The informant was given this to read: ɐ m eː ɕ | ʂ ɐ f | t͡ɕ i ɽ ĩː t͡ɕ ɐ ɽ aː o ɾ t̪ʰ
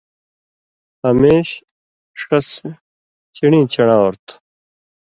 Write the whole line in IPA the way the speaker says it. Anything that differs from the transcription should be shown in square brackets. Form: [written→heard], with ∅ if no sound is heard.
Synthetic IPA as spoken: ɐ m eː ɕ | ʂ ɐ [f→s] | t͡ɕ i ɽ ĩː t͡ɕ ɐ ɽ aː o ɾ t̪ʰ